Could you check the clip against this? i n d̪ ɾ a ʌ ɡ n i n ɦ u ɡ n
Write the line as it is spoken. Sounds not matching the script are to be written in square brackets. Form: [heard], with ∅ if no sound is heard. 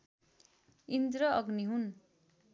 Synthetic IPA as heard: i n d̪ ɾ [ʌ] ʌ ɡ n i [∅] ɦ u [∅] n